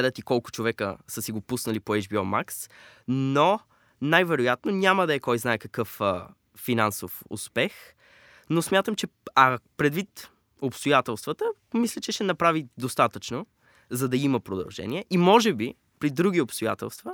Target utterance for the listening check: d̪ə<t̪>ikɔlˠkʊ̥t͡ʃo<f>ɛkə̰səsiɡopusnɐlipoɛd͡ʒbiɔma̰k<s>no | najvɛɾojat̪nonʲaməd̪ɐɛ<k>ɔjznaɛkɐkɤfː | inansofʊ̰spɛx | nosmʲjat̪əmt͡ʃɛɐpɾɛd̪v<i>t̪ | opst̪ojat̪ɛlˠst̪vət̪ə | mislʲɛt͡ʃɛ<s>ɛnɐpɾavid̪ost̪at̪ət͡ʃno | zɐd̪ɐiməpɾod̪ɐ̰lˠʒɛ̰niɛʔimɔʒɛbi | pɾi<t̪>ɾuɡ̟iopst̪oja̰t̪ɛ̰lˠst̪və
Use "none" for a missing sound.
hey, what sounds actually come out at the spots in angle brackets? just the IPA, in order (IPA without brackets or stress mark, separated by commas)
t̪, v, s, k, i, ʃ, d̪